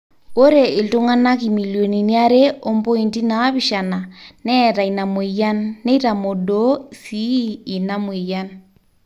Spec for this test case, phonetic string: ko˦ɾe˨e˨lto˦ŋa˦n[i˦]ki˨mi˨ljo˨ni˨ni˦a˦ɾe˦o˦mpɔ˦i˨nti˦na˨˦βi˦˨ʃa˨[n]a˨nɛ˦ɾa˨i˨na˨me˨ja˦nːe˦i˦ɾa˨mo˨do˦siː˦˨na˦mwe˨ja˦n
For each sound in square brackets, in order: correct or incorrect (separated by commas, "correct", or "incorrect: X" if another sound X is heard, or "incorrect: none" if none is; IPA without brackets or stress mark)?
incorrect: a˦, correct